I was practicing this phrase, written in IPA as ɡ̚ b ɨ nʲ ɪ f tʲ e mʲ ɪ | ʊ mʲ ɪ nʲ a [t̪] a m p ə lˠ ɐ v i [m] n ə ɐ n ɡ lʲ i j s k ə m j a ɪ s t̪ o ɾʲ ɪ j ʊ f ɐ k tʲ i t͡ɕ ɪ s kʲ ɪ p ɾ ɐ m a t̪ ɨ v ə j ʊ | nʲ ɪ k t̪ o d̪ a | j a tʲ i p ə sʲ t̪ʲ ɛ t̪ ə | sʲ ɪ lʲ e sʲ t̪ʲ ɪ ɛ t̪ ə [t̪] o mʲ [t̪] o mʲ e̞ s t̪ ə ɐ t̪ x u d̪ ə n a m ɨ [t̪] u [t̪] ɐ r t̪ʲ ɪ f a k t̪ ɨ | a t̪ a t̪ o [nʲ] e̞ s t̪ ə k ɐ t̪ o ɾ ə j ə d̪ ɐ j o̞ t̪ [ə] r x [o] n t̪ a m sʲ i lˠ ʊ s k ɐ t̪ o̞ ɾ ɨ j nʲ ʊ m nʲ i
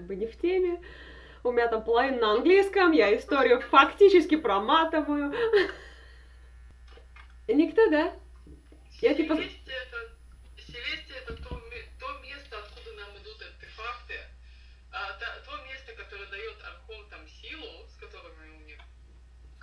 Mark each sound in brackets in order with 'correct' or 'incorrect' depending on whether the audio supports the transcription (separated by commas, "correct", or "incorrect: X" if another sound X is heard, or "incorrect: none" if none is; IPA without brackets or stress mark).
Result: correct, incorrect: n, correct, correct, incorrect: d̪, correct, incorrect: mʲ, incorrect: ɐ, correct